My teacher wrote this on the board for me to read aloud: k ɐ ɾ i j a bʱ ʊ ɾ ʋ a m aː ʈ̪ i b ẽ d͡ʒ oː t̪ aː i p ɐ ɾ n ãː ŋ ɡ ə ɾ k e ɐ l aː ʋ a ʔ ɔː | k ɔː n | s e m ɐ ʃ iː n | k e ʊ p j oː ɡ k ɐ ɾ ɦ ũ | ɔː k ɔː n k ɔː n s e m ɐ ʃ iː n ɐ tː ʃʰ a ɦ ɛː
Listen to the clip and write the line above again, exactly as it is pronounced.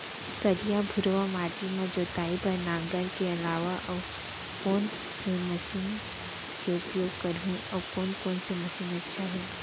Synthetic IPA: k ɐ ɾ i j a bʱ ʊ ɾ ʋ a m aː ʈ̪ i m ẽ d͡ʒ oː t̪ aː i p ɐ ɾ n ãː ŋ ɡ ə ɾ k e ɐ l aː ʋ a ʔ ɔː | k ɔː n | s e m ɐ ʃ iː n | k e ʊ p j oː ɡ k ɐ ɾ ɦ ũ | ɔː k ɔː n k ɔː n s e m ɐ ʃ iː n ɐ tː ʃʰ a ɦ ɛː